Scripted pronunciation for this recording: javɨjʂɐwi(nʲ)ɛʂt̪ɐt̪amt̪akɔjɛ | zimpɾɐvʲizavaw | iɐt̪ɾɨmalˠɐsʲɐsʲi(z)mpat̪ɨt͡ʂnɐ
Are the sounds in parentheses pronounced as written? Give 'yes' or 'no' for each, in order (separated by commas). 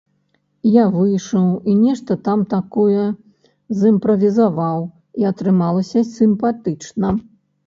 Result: yes, no